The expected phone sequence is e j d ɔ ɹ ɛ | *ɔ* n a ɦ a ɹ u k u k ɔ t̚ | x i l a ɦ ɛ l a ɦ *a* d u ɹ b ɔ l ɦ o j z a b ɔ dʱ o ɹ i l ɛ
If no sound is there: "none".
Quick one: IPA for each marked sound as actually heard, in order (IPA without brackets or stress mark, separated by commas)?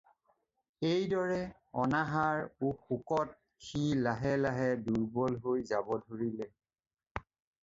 ɔ, ɛ